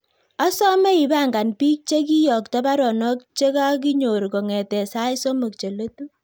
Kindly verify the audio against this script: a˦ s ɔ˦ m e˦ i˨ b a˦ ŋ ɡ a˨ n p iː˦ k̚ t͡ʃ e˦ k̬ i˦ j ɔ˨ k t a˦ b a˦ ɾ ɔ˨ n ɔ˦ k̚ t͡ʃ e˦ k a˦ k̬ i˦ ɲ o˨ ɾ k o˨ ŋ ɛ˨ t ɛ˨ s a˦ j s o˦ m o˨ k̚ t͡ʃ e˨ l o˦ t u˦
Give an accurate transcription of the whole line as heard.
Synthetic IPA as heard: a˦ s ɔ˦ m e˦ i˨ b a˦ ŋ ɡ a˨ n p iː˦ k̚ t͡ʃ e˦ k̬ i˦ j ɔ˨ k t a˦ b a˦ ɾ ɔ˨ n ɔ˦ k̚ t͡ʃ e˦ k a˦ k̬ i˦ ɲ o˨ ɾ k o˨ ŋ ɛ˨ t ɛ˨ s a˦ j s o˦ m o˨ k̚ t͡ʃ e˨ l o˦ t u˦